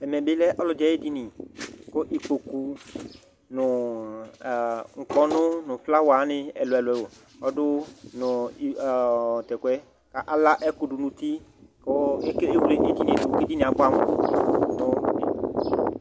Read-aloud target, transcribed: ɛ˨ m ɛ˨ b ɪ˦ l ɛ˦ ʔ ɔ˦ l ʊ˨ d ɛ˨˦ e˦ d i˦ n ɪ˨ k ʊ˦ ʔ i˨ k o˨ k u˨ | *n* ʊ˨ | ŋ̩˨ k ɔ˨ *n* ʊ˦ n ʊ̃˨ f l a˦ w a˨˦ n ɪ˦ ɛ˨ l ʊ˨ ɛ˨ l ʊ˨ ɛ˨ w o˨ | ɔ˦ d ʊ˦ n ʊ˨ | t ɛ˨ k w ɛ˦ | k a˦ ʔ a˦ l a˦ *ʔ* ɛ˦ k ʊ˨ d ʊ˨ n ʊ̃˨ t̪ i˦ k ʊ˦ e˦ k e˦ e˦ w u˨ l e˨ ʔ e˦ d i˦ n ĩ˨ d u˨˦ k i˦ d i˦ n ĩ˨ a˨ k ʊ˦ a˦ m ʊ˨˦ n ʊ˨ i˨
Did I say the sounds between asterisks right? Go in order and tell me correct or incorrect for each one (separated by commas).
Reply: correct, correct, correct